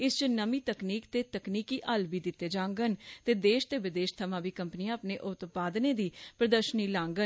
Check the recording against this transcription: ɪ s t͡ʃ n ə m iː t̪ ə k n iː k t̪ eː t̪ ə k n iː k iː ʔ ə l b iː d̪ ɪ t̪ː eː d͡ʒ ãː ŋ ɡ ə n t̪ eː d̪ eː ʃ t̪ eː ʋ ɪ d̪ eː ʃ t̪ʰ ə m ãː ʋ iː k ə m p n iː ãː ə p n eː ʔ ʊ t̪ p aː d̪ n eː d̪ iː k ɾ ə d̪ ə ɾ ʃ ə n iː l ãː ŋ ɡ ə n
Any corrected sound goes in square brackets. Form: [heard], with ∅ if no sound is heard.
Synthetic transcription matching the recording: ɪ s t͡ʃ n ə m iː t̪ ə k n iː k t̪ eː t̪ ə k n iː k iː ʔ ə l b iː d̪ ɪ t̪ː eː d͡ʒ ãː ŋ ɡ ə n t̪ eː d̪ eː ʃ t̪ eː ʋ ɪ d̪ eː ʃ t̪ʰ ə m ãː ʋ iː k ə m p n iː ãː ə p n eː ʔ ʊ t̪ p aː d̪ n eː d̪ iː [p] ɾ ə d̪ ə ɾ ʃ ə n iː l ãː ŋ ɡ ə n

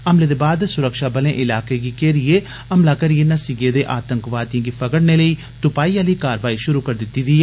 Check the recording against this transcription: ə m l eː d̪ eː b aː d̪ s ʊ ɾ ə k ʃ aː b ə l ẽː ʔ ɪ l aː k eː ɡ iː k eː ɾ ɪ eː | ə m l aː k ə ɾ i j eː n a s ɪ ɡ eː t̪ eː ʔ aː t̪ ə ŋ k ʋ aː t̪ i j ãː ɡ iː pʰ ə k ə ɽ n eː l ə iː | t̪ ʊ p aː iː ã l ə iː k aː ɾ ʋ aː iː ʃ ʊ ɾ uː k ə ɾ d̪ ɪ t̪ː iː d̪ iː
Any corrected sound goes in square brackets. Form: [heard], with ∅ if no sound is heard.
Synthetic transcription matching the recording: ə m l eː d̪ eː b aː d̪ s ʊ ɾ ə k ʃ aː b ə l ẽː ʔ ɪ l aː k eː ɡ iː k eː ɾ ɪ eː | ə m l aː k ə ɾ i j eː n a s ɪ ɡ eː [d̪] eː ʔ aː t̪ ə ŋ k ʋ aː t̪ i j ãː ɡ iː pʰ ə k ə ɽ n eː l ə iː | t̪ ʊ p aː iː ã l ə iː k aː ɾ ʋ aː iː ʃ ʊ ɾ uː k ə ɾ d̪ ɪ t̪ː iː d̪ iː

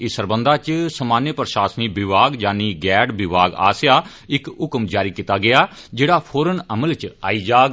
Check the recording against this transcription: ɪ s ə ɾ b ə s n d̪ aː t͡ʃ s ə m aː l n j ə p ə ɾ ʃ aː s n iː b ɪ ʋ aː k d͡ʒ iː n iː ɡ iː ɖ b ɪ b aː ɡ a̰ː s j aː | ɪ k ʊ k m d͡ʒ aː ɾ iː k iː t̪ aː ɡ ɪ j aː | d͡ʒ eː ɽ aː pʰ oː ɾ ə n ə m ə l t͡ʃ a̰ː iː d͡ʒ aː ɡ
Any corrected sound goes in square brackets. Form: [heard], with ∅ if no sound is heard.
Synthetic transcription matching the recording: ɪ s ə ɾ b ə [∅] n d̪ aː t͡ʃ s ə m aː [∅] n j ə p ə ɾ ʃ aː s n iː b ɪ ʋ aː [ɡ] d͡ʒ [aː] n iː ɡ [ɛː] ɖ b ɪ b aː ɡ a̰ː s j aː | ɪ k ʊ k m d͡ʒ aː ɾ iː k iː t̪ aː ɡ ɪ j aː | d͡ʒ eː ɽ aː pʰ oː ɾ ə n ə m ə l t͡ʃ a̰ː iː d͡ʒ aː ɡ

